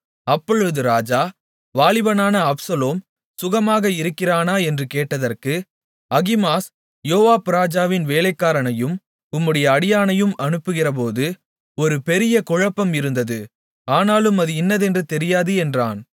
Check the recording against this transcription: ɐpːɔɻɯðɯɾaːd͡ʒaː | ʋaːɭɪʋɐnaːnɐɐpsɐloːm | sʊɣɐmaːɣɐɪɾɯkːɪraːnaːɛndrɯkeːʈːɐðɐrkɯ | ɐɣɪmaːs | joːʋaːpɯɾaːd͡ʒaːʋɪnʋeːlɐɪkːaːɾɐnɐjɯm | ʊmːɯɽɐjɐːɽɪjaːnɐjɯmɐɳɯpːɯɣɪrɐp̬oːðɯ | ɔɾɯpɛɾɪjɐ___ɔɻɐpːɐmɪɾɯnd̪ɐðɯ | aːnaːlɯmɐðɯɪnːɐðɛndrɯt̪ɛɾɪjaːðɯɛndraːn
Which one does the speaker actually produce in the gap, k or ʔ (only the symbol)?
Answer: k